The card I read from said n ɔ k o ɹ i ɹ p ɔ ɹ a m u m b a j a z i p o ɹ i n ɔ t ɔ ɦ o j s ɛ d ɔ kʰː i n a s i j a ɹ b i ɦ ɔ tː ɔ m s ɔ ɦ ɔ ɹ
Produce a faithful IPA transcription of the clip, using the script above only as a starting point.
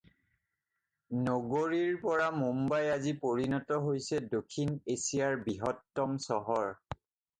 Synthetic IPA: n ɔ ɡ o ɹ i ɹ p ɔ ɹ a m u m b a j a z i p o ɹ i n ɔ t ɔ ɦ o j s ɛ d o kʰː i n e s i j a ɹ b i ɦ ɔ tː ɔ m s ɔ ɦ ɔ ɹ